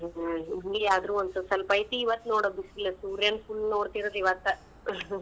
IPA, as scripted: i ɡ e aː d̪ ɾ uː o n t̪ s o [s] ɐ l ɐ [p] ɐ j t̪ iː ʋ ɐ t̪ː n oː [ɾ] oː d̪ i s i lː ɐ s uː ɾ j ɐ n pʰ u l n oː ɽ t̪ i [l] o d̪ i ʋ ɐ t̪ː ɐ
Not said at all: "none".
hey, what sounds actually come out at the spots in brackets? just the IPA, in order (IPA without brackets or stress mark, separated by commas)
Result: s, p, ɽ, ɾ